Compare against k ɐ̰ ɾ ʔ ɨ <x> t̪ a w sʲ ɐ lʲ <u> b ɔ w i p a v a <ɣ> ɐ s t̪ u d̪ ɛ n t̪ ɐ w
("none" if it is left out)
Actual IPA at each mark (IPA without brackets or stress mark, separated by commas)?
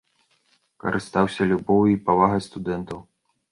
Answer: s, u, ɣ